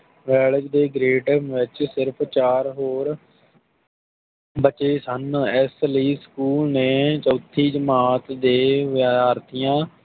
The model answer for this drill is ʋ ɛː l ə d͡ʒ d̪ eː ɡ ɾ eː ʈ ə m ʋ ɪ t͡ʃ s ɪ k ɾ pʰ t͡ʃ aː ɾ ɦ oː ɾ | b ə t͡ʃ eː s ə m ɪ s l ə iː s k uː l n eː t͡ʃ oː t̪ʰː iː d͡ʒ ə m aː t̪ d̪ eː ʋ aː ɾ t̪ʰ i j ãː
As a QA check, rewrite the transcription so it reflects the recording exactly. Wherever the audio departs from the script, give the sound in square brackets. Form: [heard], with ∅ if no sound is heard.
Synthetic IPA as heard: ʋ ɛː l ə d͡ʒ d̪ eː ɡ ɾ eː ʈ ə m ʋ ɪ t͡ʃ s ɪ [∅] ɾ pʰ t͡ʃ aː ɾ ɦ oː ɾ | b ə t͡ʃ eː s ə [n] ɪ s l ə iː s k uː l n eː t͡ʃ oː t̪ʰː iː d͡ʒ ə m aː t̪ d̪ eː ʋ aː ɾ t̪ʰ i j ãː